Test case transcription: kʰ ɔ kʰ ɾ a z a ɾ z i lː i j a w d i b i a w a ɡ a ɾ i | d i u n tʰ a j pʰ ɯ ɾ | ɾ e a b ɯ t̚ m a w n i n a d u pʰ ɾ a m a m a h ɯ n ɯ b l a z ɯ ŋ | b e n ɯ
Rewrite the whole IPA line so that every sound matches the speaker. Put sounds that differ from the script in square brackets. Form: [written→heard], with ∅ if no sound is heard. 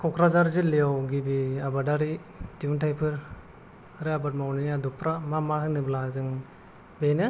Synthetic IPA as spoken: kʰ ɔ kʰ ɾ a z a ɾ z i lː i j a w [d→ɡ] i b i a [w→b] a [ɡ→d] a ɾ i | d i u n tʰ a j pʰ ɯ ɾ | ɾ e a b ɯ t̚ m a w n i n a d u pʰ ɾ a m a m a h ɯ n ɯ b l a z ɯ ŋ | b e n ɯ

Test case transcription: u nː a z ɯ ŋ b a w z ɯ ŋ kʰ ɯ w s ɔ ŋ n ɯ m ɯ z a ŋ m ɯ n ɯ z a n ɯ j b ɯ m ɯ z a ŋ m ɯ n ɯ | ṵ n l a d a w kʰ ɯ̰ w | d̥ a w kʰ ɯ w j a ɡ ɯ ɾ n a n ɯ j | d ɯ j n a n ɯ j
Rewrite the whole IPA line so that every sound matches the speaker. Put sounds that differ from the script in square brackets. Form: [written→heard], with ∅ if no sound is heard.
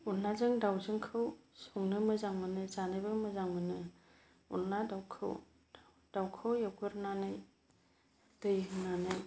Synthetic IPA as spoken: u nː a z ɯ ŋ [b→d] a w z ɯ ŋ kʰ ɯ w s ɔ ŋ n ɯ m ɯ z a ŋ m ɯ n ɯ z a n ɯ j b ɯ m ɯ z a ŋ m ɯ n ɯ | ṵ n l a d a w kʰ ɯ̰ w | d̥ a w kʰ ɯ w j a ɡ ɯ ɾ n a n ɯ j | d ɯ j n a n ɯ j

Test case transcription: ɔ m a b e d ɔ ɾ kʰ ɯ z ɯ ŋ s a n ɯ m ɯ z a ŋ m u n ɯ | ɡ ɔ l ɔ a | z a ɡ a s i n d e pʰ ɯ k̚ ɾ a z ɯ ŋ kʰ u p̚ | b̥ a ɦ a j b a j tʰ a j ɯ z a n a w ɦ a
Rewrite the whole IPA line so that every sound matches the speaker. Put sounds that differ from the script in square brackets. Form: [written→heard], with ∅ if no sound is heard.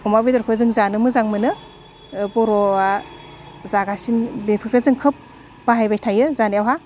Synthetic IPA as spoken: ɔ m a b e d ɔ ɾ kʰ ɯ z ɯ ŋ [s→z] a n ɯ m ɯ z a ŋ m [u→ɯ] n ɯ | [ɡ→b] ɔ [l→ɾ] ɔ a | z a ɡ a s i n [d→b] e pʰ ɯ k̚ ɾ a z ɯ ŋ kʰ [u→ɯ] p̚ | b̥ a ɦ a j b a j tʰ a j ɯ z a n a w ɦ a

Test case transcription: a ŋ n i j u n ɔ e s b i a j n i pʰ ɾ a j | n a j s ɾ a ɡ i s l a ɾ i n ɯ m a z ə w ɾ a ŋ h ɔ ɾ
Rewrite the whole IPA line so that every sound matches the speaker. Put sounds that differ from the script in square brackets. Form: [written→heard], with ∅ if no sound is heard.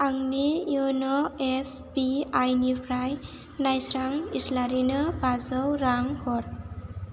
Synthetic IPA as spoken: a ŋ n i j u n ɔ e s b i a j n i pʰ ɾ a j | n a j s ɾ a [ɡ→ŋ] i s l a ɾ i n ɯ [m→b] a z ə w ɾ a ŋ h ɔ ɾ

